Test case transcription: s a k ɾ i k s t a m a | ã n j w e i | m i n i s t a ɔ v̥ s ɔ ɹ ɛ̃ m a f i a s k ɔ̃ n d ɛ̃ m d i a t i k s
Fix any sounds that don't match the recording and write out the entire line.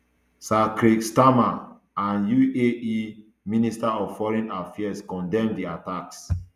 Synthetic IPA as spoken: s a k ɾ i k s t a m a | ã n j u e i | m i n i s t a ɔ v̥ f ɔ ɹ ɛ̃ n a f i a s k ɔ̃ n d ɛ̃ m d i a t a k s